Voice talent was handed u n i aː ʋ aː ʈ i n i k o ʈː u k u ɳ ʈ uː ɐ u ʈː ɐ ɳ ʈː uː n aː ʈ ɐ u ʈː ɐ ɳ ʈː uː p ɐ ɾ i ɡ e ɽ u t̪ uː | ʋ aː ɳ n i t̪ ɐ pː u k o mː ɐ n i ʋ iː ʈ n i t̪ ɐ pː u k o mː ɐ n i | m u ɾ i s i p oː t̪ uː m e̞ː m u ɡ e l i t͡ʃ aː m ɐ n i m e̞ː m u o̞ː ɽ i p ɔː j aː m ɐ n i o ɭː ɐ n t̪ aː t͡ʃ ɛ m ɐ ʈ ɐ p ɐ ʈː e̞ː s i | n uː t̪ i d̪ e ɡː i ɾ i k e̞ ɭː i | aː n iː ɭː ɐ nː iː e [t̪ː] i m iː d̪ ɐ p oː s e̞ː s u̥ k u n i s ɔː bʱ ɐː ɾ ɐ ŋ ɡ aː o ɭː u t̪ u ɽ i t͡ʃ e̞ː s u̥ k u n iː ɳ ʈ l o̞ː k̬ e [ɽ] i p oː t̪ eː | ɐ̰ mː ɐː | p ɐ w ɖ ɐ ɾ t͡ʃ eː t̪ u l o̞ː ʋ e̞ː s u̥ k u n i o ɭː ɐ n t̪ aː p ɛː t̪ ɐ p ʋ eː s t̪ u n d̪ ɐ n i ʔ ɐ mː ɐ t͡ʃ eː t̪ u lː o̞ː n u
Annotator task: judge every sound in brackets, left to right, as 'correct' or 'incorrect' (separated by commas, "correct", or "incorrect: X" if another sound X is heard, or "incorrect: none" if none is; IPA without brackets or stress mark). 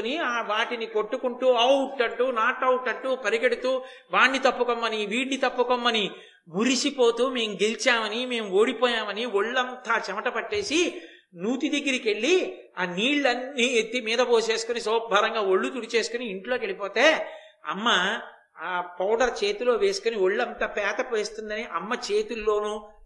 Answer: correct, incorrect: ɭ